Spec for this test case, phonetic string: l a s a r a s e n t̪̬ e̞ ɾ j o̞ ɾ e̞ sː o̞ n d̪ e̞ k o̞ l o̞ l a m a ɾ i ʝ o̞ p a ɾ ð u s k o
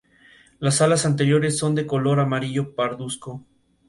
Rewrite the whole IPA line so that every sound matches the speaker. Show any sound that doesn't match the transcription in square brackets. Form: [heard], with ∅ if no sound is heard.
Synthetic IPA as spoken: l a s a [l] a s [a] n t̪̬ e̞ ɾ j o̞ ɾ e̞ sː o̞ n d̪ e̞ k o̞ l o̞ [ɾ] a m a ɾ i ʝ o̞ p a ɾ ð u s k o